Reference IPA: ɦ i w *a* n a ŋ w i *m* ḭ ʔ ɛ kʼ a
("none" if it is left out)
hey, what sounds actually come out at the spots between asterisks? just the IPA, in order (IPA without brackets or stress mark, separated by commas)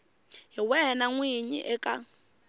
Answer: ɛ, ɲ